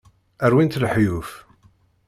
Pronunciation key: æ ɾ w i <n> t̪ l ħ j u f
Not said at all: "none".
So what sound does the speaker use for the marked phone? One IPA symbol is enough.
n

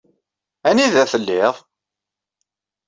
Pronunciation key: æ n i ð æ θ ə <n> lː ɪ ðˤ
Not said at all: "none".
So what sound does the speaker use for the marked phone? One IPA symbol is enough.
none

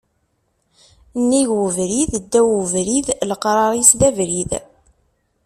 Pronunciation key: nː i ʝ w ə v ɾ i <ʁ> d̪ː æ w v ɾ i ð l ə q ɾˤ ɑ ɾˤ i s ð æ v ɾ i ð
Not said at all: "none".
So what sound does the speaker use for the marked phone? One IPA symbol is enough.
ð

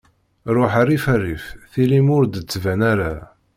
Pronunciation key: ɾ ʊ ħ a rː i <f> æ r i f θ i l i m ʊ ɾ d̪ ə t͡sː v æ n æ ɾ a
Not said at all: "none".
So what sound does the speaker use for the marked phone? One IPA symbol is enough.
f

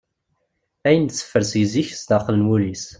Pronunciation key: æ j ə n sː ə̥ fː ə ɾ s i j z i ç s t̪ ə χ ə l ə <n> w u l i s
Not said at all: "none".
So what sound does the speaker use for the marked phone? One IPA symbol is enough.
n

